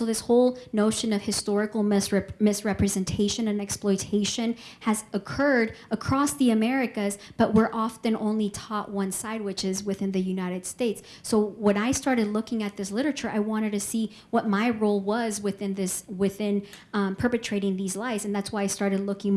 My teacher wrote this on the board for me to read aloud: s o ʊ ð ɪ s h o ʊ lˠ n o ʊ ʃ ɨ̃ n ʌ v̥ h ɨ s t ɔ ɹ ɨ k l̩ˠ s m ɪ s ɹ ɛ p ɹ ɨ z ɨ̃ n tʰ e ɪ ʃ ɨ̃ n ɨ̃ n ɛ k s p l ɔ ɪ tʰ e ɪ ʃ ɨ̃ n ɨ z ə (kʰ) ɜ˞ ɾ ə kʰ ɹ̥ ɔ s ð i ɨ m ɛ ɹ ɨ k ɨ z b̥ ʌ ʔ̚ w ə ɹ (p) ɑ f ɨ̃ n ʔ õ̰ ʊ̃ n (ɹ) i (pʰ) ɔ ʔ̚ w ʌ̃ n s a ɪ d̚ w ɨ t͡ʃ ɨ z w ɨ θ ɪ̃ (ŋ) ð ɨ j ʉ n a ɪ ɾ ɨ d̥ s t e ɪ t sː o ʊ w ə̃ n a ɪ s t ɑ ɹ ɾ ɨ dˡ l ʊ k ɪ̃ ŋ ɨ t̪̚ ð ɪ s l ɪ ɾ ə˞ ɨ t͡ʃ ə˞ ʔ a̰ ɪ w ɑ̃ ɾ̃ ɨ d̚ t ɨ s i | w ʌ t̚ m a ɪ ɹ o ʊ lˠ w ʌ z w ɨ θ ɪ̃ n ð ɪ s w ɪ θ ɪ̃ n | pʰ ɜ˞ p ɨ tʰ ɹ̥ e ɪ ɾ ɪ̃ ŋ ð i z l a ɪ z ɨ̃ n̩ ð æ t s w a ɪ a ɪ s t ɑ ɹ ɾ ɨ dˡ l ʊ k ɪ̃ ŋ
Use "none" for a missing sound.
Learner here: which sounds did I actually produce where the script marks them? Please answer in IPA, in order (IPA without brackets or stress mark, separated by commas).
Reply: kʰ, ʔ, l, tʰ, n